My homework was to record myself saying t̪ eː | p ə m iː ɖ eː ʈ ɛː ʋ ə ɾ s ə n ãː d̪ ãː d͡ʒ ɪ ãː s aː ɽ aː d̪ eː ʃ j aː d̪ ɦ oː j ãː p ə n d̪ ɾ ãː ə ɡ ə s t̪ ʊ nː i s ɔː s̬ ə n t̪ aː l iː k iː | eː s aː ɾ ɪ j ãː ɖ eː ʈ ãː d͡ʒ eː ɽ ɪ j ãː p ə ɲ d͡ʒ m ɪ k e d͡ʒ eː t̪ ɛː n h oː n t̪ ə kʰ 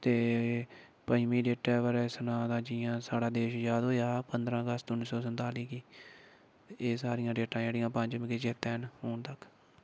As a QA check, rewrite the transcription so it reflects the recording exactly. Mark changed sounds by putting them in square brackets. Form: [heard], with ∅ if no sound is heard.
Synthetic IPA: t̪ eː | p ə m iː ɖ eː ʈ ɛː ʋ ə ɾ s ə n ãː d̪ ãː d͡ʒ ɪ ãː s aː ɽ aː d̪ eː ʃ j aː d̪ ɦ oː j [aː] p ə n d̪ ɾ ãː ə ɡ ə s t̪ ʊ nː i s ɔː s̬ ə n t̪ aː l iː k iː | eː s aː ɾ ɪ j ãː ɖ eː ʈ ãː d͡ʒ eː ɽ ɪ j ãː p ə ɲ d͡ʒ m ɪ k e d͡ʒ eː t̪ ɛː n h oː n t̪ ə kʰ